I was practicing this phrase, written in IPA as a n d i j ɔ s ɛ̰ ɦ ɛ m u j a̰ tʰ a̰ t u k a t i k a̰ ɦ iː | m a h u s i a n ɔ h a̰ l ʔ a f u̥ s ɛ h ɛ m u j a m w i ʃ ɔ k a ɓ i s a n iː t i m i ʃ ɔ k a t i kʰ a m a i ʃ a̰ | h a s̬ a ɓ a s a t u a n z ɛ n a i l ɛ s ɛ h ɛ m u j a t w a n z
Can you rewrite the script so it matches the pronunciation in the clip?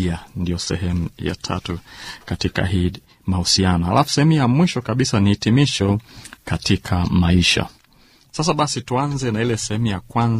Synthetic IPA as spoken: a n d i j ɔ s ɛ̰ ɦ ɛ m u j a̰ tʰ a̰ t u k a t i k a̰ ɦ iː | m a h u s i a n ɔ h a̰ l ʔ a f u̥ s ɛ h ɛ m u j a m w i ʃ ɔ k a ɓ i s a n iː t i m i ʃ ɔ k a t i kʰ a m a i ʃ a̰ | s a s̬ a ɓ a s i t u a n z ɛ n a i l ɛ s ɛ h ɛ m u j a k w a n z